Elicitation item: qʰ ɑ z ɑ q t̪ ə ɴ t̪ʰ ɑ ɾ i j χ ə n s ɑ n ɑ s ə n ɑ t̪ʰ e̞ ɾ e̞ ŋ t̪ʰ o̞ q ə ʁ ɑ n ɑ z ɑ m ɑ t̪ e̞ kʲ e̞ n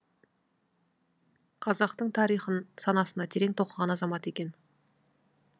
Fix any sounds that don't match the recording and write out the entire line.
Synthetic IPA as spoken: qʰ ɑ z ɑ q t̪ ə ɴ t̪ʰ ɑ ɾ i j χ ə n s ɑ n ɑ s ə n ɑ t̪ʰ e̞ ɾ e̞ ŋ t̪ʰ o̞ q ə ʁ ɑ n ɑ z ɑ m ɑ t̪ e̞ kʲ e̞ n